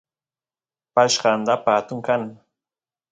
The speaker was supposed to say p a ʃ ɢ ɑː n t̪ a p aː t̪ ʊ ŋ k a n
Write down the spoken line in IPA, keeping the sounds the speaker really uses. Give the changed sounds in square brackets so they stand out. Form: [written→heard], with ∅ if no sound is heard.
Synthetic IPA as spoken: p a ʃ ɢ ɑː n [t̪→d̪] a p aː t̪ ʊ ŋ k a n